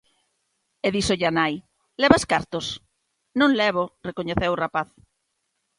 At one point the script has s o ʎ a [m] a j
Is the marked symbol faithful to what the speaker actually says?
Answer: no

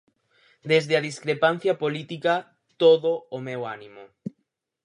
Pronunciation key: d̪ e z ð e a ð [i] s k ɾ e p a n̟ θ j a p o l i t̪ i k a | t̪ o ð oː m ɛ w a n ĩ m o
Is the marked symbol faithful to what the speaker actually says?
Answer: yes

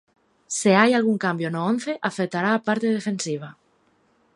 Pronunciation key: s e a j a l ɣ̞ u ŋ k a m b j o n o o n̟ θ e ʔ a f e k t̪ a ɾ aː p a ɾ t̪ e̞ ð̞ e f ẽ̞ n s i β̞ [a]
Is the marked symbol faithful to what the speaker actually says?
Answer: yes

